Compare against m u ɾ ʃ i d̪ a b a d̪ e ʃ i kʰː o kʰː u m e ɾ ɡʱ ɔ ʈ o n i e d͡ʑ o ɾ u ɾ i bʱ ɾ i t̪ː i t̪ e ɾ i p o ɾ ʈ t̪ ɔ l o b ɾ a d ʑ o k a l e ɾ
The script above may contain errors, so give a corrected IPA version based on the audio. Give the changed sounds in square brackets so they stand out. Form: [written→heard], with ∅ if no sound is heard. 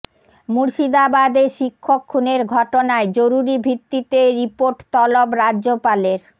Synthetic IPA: m u ɾ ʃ i d̪ a b a d̪ e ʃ i kʰː o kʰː u [m→n] e ɾ ɡʱ ɔ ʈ o n [i→a] e d͡ʑ o ɾ u ɾ i bʱ ɾ i t̪ː i t̪ e ɾ i p o ɾ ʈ t̪ ɔ l o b ɾ a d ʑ o [k→p] a l e ɾ